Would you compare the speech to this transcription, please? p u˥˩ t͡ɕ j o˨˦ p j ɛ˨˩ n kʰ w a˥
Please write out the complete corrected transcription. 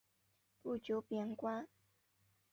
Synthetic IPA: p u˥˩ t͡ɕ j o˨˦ p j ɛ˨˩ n k w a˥